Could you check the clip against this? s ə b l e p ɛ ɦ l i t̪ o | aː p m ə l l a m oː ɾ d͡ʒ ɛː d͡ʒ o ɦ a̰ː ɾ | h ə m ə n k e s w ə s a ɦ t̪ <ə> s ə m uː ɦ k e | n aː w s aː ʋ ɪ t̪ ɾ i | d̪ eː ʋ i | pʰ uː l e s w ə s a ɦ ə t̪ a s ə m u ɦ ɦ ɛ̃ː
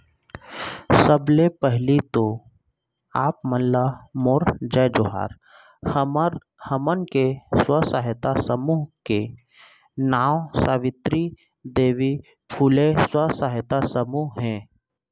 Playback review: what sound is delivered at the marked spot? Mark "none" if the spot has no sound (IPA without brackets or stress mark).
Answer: a